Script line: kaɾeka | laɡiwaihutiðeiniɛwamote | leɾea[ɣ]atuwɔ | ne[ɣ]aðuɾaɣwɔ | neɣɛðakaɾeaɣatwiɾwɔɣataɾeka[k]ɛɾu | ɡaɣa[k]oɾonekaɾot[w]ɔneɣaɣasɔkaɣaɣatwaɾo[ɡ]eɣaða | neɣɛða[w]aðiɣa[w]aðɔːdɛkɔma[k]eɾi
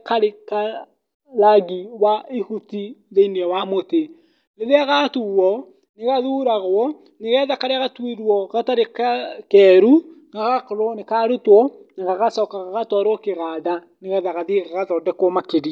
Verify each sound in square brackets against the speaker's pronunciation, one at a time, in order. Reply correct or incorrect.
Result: correct, correct, correct, correct, correct, incorrect, incorrect, incorrect, correct

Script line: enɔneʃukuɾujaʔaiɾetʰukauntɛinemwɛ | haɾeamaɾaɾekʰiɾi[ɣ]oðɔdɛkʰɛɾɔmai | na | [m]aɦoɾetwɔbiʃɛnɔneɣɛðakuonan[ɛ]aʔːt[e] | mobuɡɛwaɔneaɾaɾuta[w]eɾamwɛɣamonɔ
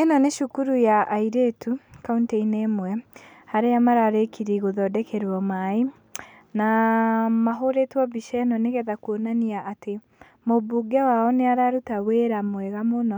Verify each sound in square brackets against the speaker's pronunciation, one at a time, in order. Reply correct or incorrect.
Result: correct, correct, incorrect, correct, correct

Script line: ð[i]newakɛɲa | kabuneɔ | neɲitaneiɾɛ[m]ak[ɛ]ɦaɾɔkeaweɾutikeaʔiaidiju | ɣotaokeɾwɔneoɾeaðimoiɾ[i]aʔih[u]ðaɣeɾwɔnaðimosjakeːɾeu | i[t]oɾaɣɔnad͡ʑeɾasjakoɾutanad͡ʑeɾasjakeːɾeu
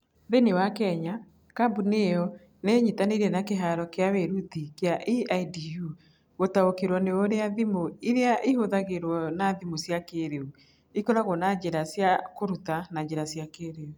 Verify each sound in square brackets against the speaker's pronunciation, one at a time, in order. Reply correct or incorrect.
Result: incorrect, incorrect, incorrect, incorrect, incorrect, incorrect

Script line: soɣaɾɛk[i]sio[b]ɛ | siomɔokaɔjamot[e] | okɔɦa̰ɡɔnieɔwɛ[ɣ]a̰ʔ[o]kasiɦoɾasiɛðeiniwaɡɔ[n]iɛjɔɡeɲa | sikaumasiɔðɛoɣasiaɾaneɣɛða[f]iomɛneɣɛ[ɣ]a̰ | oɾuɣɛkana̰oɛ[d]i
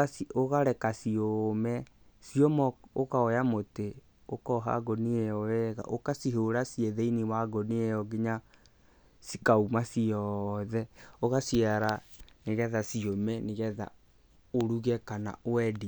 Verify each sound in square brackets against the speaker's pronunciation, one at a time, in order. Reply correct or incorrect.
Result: incorrect, incorrect, correct, correct, correct, correct, incorrect, incorrect, correct

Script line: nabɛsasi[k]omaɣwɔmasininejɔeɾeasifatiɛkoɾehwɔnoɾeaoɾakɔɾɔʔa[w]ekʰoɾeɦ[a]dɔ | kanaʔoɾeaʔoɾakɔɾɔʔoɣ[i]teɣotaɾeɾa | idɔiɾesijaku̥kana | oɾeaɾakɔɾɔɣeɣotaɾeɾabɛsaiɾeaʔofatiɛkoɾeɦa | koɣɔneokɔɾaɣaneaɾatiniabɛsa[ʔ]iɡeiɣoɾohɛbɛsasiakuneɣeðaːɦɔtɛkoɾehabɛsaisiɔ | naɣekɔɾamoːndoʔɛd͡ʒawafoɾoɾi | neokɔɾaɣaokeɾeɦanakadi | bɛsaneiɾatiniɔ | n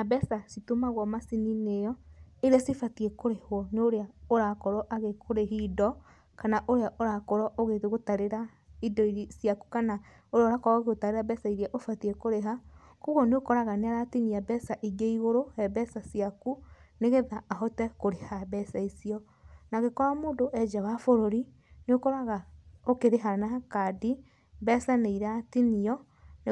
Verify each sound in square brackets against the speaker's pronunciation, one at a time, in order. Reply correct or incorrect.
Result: incorrect, incorrect, incorrect, incorrect, correct

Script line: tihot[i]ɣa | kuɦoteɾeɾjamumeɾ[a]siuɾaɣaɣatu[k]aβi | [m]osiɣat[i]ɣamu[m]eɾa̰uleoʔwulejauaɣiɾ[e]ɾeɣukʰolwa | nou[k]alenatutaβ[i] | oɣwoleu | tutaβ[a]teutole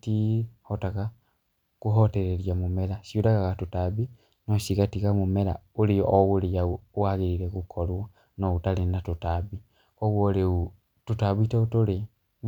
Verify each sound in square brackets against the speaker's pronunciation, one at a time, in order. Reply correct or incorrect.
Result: incorrect, correct, incorrect, incorrect, correct, correct, incorrect, incorrect, correct, incorrect

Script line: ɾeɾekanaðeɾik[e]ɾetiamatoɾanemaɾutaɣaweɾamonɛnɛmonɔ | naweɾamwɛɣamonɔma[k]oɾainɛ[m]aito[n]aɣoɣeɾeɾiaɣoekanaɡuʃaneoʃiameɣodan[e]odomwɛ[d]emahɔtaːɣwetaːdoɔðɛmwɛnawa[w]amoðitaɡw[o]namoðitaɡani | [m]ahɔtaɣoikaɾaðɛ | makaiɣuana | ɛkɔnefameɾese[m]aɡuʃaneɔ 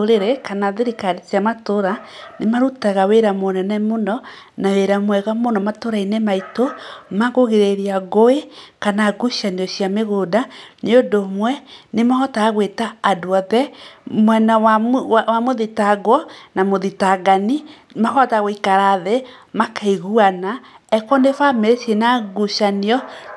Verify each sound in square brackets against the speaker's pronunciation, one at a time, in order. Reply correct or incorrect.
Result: incorrect, incorrect, correct, incorrect, correct, incorrect, correct, incorrect, correct, incorrect

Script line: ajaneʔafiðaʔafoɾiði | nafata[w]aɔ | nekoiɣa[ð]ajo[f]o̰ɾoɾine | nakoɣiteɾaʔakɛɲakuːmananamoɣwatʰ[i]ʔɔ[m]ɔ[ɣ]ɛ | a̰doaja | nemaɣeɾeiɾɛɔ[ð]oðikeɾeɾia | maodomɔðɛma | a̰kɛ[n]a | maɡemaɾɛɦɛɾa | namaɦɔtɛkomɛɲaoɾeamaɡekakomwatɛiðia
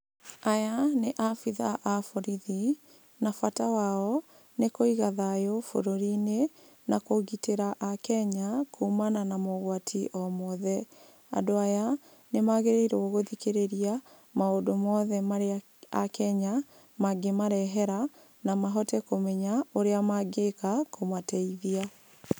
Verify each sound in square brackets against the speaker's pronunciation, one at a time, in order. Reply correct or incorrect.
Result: correct, correct, correct, correct, correct, incorrect, incorrect, incorrect

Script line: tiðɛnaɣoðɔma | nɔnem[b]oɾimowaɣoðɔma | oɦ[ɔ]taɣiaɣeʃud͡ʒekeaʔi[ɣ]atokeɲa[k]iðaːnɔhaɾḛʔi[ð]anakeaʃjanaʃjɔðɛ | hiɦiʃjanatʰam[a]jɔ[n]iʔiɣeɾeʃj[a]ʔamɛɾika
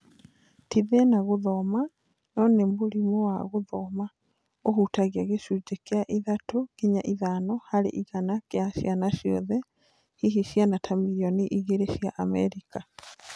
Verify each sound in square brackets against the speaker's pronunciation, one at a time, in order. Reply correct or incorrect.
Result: correct, incorrect, incorrect, incorrect, incorrect, incorrect, correct, correct

